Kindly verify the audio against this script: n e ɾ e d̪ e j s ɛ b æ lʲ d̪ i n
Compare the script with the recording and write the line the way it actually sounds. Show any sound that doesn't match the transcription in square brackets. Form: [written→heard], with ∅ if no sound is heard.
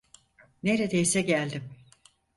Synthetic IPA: n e ɾ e d̪ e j s ɛ [b→ɟ] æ lʲ d̪ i [n→m]